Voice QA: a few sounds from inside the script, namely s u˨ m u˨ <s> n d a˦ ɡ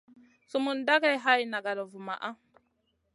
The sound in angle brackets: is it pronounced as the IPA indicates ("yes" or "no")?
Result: no